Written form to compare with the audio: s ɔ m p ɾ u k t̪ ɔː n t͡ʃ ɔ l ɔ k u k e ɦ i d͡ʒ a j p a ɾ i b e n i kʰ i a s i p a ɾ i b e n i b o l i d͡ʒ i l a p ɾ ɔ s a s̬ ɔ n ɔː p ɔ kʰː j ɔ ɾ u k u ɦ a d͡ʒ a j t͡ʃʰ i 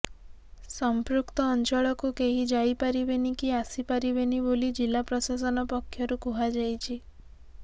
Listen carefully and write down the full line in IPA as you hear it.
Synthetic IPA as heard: s ɔ m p ɾ u k t̪ ɔː n t͡ʃ ɔ ɭ ɔ k u k e ɦ i d͡ʒ a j p a ɾ i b e n i k i a s i p a ɾ i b e n i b o l i d͡ʒ i l a p ɾ ɔ s a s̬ ɔ n ɔ p ɔ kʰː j ɔ ɾ u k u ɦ a d͡ʒ a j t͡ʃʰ i

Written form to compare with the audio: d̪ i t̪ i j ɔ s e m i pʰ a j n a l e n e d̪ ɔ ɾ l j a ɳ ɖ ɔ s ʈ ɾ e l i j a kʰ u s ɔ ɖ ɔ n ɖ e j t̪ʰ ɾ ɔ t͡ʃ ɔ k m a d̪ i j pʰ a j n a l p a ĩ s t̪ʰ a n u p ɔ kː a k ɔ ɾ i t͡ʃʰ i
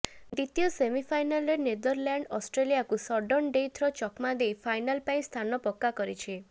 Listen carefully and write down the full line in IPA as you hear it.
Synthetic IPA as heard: d̪ i t̪ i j ɔ s e m i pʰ a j n a l e n e d̪ ɔ ɾ l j a ɳ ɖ ɔ s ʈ ɾ e l i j a k u s ɔ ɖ ɔ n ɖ e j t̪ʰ ɾ ɔ t͡ʃ ɔ k m a d̪ e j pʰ a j n a l p a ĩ s t̪ʰ a n ɔ p ɔ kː a k ɔ ɾ i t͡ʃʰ i

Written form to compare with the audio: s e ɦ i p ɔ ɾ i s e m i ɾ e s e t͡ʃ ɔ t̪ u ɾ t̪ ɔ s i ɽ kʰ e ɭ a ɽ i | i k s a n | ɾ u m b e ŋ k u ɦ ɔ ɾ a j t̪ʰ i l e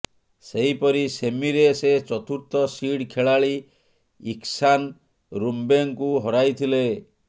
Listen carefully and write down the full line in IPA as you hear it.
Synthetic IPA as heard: s e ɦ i p ɔ ɾ i s e m i ɾ e s e t͡ʃ ɔ t̪ u ɾ t̪ ɔ s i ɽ kʰ e ɭ a ɭ i | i k s a n | ɾ u m b e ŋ k u ɦ ɔ ɾ a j t̪ʰ i l e

